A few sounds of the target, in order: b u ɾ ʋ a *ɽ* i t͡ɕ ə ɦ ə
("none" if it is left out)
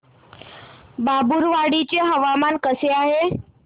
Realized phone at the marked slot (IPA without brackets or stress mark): ɽ